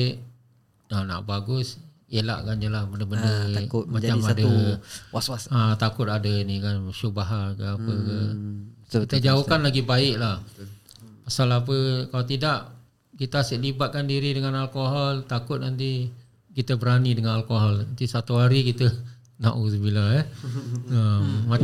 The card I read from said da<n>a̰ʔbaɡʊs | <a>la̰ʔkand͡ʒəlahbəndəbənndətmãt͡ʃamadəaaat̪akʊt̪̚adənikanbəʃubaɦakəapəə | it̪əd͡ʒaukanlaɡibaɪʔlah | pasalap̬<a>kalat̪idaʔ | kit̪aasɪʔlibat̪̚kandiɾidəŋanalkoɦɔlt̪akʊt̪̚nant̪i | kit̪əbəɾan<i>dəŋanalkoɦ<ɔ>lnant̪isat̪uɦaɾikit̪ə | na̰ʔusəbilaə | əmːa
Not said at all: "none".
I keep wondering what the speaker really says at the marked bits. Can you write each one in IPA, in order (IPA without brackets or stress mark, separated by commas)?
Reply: n, e, ə, i, ɔ